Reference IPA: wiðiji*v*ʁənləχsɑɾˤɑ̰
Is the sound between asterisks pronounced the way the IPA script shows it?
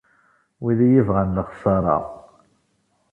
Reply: yes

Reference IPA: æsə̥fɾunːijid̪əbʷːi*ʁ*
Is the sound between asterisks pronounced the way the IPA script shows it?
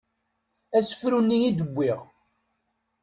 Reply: yes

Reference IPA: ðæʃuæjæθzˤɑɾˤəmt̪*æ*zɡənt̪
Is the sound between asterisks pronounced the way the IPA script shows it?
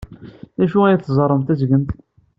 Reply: yes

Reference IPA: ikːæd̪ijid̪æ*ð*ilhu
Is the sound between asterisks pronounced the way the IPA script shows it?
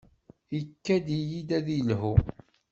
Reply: yes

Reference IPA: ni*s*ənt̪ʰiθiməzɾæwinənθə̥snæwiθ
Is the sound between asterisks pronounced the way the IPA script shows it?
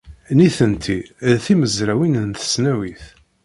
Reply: no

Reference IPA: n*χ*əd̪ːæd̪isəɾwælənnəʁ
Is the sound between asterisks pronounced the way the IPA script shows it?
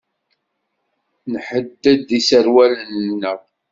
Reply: no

